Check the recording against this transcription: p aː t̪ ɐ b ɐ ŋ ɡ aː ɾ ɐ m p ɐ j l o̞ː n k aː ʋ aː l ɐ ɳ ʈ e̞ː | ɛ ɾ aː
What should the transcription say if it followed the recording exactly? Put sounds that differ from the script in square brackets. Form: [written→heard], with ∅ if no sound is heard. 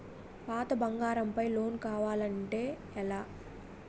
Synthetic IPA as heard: p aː t̪ ɐ b ɐ ŋ ɡ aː ɾ ɐ m p ɐ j l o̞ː n k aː ʋ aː l ɐ ɳ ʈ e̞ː | ɛ [ɾ→l] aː

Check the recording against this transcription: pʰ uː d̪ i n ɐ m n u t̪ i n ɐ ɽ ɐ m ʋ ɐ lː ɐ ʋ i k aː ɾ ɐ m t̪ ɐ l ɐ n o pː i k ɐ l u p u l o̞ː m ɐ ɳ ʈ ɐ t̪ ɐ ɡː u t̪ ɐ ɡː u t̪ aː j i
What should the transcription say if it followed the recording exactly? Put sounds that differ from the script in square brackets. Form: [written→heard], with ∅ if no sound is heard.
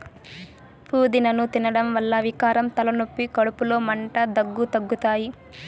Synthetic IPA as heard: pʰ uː d̪ i n ɐ [m→∅] n u t̪ i n ɐ ɽ ɐ m ʋ ɐ lː ɐ ʋ i k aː ɾ ɐ m t̪ ɐ l ɐ n o pː i k ɐ [l→ɽ] u p u l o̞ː m ɐ ɳ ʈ ɐ [t̪→d̪] ɐ ɡː u t̪ ɐ ɡː u t̪ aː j i

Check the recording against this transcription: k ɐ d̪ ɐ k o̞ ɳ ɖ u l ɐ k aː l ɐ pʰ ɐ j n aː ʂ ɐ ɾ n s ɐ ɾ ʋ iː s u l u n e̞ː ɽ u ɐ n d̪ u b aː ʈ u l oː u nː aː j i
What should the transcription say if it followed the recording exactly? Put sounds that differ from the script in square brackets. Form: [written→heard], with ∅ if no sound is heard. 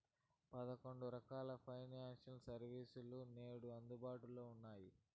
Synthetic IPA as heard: [k→p] ɐ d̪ ɐ k o̞ ɳ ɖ u [l→ɾ] ɐ k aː l ɐ pʰ ɐ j n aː ʂ ɐ [ɾ→∅] n s ɐ ɾ ʋ iː s u l u n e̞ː ɽ u ɐ n d̪ u b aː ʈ u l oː u nː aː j i

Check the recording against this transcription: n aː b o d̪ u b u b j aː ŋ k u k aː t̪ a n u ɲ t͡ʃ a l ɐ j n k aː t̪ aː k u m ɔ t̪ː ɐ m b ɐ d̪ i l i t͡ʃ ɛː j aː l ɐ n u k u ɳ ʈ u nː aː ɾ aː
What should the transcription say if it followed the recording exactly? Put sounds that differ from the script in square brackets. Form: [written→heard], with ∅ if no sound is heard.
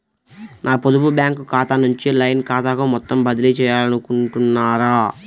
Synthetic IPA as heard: n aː [b→p] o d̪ u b u b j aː ŋ k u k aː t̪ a n u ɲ t͡ʃ [a→i] l ɐ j n k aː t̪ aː k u m ɔ t̪ː ɐ m b ɐ d̪ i l i t͡ʃ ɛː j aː l ɐ n u k u ɳ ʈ u nː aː ɾ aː

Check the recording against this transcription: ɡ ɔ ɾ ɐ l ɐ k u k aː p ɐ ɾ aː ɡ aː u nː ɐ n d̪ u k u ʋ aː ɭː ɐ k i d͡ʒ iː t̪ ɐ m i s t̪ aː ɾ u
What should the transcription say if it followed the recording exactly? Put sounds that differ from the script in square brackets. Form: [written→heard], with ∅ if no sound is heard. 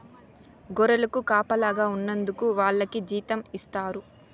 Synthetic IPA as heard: ɡ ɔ ɾ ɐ l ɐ k u k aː p ɐ [ɾ→l] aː ɡ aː u nː ɐ n d̪ u k u ʋ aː ɭː ɐ k i d͡ʒ iː t̪ ɐ m i s t̪ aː ɾ u

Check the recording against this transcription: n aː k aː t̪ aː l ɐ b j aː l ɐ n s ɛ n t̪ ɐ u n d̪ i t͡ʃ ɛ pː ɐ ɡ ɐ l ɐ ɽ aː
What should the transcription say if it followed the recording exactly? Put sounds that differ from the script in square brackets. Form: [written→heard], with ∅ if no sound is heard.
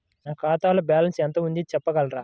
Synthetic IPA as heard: n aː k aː t̪ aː l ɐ b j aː l ɐ n s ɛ n t̪ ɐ u n d̪ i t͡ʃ ɛ pː ɐ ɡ ɐ l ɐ [ɽ→ɾ] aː

